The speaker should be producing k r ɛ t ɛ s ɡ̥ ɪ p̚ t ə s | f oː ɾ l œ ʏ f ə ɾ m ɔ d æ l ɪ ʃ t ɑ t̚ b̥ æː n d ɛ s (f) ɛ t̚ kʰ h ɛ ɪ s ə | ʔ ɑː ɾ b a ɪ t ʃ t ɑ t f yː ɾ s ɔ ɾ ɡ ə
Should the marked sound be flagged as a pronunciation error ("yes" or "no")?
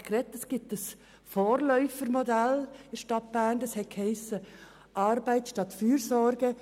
yes